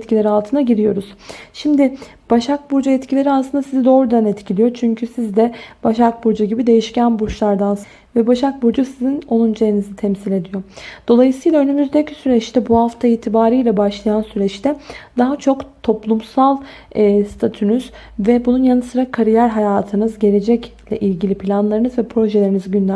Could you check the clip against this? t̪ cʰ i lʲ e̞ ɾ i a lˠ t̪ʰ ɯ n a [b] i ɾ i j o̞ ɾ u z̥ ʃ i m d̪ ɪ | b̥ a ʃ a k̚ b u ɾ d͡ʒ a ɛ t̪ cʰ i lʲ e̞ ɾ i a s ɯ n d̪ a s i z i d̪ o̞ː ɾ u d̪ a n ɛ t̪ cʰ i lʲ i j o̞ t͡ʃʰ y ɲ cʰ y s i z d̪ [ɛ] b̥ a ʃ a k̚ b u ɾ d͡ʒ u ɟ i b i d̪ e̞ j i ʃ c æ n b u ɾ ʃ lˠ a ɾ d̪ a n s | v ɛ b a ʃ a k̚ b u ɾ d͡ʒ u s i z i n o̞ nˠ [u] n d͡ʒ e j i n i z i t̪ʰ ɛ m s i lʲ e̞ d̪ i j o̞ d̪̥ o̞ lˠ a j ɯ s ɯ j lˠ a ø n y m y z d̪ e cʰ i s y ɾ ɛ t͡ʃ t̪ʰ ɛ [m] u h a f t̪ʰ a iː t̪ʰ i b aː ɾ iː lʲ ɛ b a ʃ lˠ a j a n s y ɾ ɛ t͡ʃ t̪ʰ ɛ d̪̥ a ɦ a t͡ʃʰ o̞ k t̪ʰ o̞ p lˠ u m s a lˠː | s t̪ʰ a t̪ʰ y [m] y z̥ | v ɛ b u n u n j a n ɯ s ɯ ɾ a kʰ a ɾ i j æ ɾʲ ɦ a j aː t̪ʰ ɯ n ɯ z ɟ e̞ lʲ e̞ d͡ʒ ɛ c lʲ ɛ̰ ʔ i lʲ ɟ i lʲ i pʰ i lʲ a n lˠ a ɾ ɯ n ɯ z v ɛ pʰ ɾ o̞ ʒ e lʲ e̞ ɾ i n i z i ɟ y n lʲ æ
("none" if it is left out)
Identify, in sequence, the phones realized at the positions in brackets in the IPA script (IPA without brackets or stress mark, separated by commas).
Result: ɟ, ɛ, u, b, n